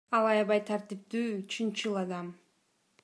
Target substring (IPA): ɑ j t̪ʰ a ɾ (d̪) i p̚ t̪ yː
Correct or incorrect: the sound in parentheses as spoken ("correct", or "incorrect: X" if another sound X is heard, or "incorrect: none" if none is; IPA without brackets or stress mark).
incorrect: t̪